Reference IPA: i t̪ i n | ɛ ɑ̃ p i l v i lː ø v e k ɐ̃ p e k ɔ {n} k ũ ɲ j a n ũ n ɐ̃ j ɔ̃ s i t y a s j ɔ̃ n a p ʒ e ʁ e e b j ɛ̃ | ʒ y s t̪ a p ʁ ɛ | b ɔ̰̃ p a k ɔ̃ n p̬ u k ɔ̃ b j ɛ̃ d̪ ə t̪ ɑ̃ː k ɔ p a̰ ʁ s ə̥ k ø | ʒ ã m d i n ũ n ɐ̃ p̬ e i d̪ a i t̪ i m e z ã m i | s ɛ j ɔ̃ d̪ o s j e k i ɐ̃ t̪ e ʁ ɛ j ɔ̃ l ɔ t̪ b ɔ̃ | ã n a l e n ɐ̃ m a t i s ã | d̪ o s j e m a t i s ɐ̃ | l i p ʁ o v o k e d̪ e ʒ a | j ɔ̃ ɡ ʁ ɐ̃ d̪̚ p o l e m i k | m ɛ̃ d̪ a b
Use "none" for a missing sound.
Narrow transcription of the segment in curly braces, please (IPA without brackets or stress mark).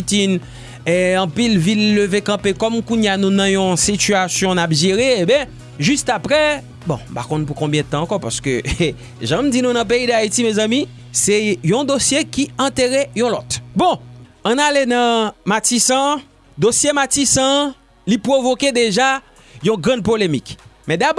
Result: m